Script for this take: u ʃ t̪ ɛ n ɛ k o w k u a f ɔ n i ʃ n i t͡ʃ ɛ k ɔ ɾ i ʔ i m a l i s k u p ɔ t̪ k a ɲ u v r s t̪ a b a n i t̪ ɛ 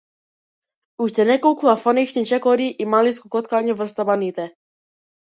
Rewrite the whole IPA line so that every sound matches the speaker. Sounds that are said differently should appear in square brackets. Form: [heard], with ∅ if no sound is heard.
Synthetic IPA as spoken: u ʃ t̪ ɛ n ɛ k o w k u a f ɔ n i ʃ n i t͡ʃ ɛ k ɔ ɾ i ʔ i m a l i s k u [k] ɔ t̪ k a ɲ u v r s t̪ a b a n i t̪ ɛ